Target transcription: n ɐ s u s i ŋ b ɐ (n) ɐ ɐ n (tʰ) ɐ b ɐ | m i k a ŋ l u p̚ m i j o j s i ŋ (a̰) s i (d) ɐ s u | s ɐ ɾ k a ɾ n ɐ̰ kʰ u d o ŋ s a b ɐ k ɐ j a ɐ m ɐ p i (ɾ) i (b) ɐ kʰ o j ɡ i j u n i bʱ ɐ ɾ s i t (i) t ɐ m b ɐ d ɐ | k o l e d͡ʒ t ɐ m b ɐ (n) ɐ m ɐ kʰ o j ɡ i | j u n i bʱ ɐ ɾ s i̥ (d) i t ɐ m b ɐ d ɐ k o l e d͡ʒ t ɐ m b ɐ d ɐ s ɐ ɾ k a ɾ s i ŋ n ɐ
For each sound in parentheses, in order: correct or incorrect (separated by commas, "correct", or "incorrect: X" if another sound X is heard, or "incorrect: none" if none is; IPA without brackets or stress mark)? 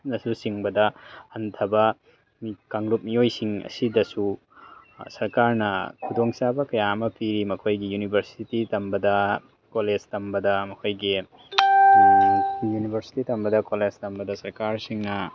incorrect: d, correct, incorrect: ɐ̰, correct, correct, incorrect: m, correct, incorrect: d, incorrect: t